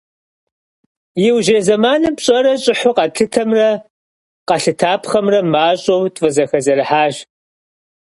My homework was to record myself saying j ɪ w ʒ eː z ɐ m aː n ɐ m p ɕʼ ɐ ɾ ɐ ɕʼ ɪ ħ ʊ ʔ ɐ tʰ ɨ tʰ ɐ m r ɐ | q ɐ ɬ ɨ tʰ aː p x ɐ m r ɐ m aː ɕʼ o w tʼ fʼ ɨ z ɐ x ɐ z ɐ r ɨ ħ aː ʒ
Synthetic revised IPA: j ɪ w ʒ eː z ɐ m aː n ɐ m p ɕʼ ɐ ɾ ɐ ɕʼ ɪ ħ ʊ q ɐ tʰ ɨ tʰ ɐ m r ɐ | q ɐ ɬ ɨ tʰ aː p χ ɐ m r ɐ m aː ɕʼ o w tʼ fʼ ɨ z ɐ x ɐ z ɐ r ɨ ħ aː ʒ